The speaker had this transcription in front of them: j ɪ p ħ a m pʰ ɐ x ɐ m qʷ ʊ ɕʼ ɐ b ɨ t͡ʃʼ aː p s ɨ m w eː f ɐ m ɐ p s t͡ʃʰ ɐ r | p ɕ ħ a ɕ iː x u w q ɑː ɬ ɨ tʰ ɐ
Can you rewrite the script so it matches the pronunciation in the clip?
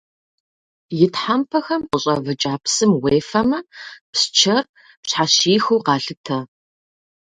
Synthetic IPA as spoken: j ɪ t ħ a m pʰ ɐ x ɐ m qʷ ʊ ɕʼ ɐ v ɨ t͡ʃʼ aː p s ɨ m w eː f ɐ m ɐ p s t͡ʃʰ ɐ r | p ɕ ħ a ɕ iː x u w q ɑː ɬ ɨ tʰ ɐ

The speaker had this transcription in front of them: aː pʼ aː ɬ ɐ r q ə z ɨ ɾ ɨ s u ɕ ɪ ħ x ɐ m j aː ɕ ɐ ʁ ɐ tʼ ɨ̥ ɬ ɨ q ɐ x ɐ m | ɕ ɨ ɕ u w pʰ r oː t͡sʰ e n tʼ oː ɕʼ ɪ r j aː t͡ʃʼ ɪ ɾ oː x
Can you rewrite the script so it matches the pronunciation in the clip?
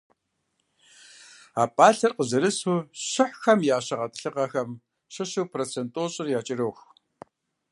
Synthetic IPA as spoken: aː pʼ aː ɬ ɐ r q ə z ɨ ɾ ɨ s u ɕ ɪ ħ x ɐ m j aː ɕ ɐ ʁ ɐ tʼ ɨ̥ ɬ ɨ q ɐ x ɐ m | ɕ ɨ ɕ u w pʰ r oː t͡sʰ e n tʼ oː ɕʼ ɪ r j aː t͡ʃʼ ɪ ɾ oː x

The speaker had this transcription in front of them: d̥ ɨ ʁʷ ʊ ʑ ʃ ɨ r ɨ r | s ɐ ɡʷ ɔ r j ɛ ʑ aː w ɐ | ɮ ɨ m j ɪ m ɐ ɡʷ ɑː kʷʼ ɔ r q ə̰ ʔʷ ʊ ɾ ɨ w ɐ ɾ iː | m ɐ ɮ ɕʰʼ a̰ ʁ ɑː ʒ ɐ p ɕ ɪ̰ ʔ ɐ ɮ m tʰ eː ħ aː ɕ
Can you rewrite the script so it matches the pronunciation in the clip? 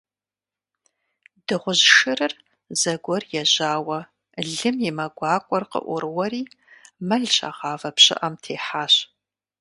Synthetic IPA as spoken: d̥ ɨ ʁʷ ʊ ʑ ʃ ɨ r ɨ r | z ɐ ɡʷ ɔ r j ɛ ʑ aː w ɐ | ɮ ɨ m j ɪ m ɐ ɡʷ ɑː kʷʼ ɔ r q ə̰ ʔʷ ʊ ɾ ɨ w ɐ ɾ iː | m ɐ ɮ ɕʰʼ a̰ ʁ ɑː v ɐ p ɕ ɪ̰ ʔ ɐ m tʰ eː ħ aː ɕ

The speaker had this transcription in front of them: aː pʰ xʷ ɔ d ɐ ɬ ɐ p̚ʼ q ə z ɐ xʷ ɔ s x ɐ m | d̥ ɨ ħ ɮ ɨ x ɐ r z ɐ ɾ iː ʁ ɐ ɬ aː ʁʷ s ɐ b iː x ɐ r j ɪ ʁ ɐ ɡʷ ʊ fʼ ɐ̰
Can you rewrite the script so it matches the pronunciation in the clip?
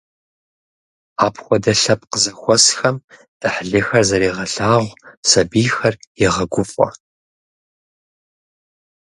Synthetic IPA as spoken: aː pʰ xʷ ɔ d ɐ ɬ ɐ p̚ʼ q ə z ɐ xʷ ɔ s x ɐ m | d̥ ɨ ħ ɮ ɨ x ɐ r z ɐ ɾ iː ʁ ɐ ɬ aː ʁʷ s ɐ b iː x ɐ r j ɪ ʁ ɐ ɡʷ ʊ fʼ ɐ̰

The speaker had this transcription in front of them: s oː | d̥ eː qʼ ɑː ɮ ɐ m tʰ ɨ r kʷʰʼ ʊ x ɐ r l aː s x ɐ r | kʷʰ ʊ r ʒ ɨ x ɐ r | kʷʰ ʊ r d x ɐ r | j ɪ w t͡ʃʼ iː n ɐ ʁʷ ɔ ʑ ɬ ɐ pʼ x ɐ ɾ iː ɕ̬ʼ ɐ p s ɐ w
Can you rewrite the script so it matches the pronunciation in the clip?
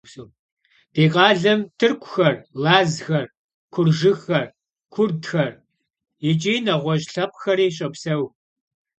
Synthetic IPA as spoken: s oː | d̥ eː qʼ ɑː ɮ ɐ m tʰ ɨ r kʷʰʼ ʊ x ɐ r l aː z x ɐ r | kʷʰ ʊ r ʒ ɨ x ɐ r | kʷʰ ʊ r d x ɐ r | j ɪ t͡ʃʼ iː n ɐ ʁʷ ɔ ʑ ɬ ɐ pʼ x ɐ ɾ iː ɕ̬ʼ ɐ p s ɐ w

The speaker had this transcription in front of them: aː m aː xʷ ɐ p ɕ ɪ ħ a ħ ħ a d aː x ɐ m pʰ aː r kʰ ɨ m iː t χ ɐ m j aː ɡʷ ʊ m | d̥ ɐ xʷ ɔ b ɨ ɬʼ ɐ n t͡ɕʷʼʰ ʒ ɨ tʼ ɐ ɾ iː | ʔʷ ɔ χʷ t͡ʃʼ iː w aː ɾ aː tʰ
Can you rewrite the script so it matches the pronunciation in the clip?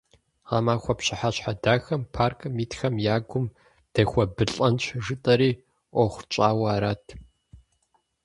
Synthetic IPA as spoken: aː m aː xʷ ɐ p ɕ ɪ ħ a ɕ ħ a d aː x ɐ m pʰ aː r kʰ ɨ m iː t x ɐ m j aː ɡʷ ʊ m | d̥ ɐ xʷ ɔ b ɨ ɬʼ ɐ n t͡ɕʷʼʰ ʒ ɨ tʼ ɐ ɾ iː | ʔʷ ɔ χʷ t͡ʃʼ aː w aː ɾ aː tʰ

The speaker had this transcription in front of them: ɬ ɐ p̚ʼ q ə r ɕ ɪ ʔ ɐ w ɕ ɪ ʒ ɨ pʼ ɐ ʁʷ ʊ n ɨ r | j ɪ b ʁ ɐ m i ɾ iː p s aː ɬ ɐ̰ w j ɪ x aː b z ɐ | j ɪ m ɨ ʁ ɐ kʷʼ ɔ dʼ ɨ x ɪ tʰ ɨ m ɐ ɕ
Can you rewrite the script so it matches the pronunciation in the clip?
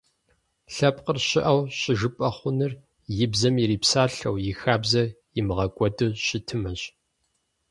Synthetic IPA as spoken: ɬ ɐ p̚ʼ q ə r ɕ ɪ ʔ ɐ w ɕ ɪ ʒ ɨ pʼ ɐ χʷ ʊ n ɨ r | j ɪ b z ɐ m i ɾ iː p s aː ɬ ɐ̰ w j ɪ x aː b z ɐ | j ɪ m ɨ ʁ ɐ kʷʼ ɔ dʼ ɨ ɕ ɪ tʰ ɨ m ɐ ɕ

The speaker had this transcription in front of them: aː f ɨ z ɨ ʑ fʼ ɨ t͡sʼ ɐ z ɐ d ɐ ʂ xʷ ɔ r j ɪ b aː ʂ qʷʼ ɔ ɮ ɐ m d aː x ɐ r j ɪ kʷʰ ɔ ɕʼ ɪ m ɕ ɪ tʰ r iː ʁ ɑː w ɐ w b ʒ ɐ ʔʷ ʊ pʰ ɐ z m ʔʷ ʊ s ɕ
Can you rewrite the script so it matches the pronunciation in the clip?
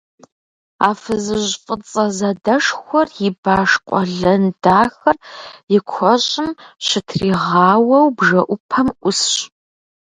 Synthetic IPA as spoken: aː f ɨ z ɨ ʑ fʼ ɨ t͡sʼ ɐ z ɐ d ɐ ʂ xʷ ɔ r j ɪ b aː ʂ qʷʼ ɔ ɮ ɐ n d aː x ɐ r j ɪ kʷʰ ɔ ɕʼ ɪ m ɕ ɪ tʰ r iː ʁ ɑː w ɐ w b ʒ ɐ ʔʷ ʊ pʰ ɐ m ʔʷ ʊ s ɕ

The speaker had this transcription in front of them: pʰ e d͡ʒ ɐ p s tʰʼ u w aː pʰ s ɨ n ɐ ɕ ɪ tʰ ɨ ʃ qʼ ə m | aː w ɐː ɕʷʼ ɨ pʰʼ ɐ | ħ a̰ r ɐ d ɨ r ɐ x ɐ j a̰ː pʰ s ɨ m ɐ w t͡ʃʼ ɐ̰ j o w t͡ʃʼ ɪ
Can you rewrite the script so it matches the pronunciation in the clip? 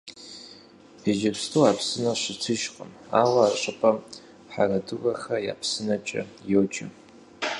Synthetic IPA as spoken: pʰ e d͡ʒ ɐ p s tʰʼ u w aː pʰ s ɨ n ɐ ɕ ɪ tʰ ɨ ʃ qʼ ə m | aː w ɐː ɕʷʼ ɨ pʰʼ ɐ | ħ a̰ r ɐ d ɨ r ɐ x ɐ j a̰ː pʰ s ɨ n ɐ t͡ʃʼ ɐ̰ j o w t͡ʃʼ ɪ

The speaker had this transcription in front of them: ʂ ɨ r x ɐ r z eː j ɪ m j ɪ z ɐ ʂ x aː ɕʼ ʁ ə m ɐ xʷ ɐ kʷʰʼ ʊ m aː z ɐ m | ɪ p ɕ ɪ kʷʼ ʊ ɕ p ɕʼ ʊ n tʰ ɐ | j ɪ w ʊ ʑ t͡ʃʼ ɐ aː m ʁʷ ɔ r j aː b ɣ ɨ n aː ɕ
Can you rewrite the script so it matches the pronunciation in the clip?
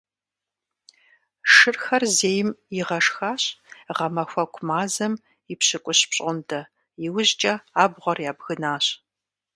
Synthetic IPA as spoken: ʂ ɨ r x ɐ r z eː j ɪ m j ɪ ʁ ɐ ʂ x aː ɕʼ ʁ ɐ m ɐ xʷ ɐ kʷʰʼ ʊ m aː z ɐ m | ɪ p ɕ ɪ kʷʼ ʊ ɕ p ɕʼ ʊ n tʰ ɐ | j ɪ w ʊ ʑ t͡ʃʼ ɐ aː b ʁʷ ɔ r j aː b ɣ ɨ n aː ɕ

